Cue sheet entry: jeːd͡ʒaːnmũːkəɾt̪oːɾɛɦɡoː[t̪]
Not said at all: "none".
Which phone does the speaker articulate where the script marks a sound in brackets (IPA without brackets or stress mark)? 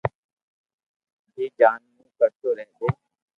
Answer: none